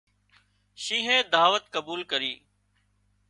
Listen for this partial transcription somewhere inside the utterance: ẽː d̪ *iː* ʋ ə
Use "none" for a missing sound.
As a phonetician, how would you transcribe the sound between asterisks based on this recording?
aː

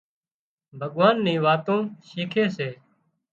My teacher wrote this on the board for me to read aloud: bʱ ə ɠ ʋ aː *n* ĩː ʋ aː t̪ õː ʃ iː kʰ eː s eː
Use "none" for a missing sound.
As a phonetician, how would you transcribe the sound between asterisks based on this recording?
nː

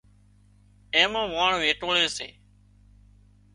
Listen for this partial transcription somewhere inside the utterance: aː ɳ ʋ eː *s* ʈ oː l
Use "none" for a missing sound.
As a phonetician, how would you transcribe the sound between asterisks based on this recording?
none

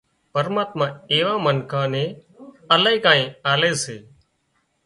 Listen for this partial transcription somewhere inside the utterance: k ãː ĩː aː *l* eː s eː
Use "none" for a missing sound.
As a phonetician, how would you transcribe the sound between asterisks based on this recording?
l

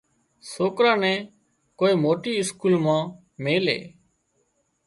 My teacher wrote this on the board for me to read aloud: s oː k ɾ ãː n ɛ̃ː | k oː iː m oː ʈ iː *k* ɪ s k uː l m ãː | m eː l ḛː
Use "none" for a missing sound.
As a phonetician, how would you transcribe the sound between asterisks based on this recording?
none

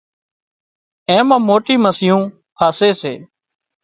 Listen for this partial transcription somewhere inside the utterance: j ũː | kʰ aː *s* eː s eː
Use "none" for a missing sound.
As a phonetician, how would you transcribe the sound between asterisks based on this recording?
s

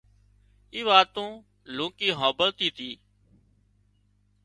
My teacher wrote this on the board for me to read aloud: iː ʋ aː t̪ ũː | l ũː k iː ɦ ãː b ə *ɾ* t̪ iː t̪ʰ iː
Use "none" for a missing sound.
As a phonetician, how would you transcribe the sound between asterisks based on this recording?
l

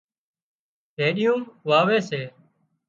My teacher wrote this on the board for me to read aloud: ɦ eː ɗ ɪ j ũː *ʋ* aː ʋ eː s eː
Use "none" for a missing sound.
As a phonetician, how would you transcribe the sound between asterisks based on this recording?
ʋ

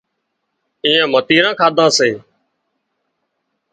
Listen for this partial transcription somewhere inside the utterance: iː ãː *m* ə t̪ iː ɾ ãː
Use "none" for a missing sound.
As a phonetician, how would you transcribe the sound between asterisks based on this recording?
m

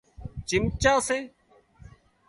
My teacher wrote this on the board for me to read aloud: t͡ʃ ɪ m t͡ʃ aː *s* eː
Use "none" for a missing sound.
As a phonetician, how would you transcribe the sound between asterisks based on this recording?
s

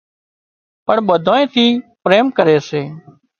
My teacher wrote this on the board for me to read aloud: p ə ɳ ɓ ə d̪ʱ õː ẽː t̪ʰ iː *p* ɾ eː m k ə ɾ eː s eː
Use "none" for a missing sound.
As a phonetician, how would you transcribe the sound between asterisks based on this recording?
p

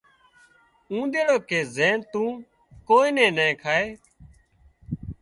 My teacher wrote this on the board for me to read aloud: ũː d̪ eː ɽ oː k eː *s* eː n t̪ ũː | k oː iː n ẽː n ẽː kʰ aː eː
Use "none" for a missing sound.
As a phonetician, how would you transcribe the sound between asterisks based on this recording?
z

